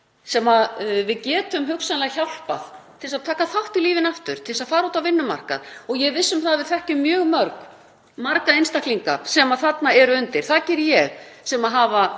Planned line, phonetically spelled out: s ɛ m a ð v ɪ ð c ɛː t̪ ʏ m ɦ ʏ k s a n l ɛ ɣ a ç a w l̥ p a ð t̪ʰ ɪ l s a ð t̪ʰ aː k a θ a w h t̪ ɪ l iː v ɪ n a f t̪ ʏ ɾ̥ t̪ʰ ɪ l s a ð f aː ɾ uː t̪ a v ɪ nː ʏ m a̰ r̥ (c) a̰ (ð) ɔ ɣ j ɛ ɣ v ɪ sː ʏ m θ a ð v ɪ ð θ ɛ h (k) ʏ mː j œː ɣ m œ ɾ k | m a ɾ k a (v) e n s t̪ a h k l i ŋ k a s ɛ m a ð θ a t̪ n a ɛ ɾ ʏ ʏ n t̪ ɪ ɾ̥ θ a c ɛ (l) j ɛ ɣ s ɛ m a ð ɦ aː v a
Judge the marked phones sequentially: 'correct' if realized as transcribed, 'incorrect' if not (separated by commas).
incorrect, correct, incorrect, incorrect, incorrect